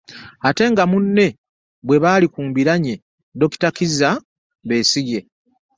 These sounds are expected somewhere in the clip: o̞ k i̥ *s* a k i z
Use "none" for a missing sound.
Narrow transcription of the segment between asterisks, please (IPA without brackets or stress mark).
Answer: t